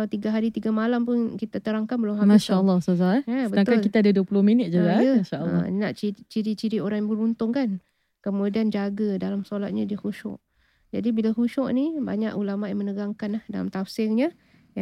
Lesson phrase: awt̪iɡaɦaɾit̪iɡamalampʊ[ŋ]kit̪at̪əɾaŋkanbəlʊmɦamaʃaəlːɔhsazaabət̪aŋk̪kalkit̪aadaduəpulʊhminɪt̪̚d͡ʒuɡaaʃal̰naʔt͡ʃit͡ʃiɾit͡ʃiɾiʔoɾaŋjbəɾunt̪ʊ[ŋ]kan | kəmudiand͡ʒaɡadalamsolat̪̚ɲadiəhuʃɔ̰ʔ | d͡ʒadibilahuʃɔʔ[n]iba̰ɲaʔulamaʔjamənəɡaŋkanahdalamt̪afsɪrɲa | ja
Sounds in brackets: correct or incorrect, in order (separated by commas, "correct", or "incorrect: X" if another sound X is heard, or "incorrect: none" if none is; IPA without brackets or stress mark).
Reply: incorrect: n, correct, correct